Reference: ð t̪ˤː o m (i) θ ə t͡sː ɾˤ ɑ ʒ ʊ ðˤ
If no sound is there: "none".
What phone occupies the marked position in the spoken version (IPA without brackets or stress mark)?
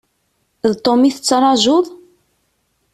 i